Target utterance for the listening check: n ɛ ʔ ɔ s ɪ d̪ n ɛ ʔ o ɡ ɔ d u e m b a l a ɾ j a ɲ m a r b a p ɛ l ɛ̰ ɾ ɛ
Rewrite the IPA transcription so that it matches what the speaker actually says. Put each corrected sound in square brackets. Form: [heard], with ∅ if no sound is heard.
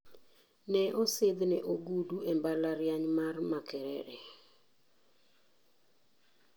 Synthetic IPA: n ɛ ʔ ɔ s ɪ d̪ n ɛ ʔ o ɡ [u] d u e m b a l a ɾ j a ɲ m a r [m] a [k] ɛ [ɾ] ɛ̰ ɾ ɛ